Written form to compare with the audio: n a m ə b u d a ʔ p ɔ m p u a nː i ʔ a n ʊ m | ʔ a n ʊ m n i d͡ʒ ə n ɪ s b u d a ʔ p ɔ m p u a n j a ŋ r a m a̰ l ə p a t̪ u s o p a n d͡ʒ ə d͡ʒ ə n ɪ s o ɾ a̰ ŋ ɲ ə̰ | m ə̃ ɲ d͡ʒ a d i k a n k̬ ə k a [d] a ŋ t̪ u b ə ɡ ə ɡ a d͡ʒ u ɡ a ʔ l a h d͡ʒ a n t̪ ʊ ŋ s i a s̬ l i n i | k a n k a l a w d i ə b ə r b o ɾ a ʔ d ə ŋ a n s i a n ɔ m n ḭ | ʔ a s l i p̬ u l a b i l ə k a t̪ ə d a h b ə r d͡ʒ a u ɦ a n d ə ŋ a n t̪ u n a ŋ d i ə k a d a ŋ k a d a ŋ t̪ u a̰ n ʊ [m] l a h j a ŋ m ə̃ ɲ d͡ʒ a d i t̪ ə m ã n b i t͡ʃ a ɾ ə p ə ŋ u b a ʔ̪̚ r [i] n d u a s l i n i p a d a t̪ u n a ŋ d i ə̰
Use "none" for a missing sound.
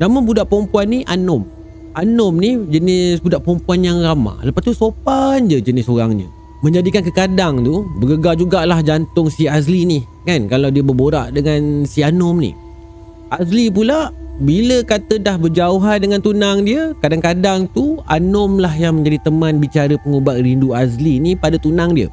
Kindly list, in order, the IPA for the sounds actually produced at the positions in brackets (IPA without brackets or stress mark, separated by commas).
d, m, i